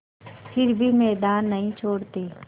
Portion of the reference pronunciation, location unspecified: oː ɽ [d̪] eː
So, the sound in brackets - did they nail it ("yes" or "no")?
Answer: no